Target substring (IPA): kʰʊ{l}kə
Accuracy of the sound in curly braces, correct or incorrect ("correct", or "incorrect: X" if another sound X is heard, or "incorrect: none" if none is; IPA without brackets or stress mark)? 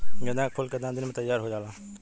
correct